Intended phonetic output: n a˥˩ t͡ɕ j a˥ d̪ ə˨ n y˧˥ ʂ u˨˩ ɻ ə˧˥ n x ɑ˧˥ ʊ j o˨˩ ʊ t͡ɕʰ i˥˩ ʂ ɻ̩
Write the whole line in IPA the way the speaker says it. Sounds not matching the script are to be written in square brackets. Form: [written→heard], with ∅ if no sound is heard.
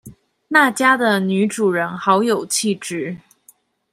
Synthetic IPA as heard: n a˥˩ t͡ɕ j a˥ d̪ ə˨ n y˧˥ [ʂ→ʈ͡ʂ] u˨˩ ɻ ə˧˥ n x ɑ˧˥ ʊ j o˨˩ ʊ t͡ɕʰ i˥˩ [ʂ→ʈ͡ʂ] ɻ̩

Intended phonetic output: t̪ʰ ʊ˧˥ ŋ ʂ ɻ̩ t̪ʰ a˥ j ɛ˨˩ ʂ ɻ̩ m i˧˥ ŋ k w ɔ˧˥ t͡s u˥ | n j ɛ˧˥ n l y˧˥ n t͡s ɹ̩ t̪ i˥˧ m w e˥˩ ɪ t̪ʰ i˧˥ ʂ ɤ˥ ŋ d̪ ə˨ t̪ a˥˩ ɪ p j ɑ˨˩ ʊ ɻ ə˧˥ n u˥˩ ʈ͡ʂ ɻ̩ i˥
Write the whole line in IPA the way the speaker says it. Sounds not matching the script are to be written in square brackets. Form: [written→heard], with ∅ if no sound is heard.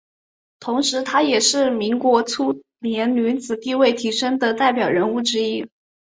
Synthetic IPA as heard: t̪ʰ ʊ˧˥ ŋ ʂ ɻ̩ t̪ʰ a˥ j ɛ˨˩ ʂ ɻ̩ m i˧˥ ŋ k w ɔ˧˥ [t͡s→t͡sʰ] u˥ | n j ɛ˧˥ n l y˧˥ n t͡s ɹ̩ t̪ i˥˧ [m→∅] w e˥˩ ɪ t̪ʰ i˧˥ ʂ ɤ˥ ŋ d̪ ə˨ t̪ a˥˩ ɪ p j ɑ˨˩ ʊ ɻ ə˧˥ n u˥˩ ʈ͡ʂ ɻ̩ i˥

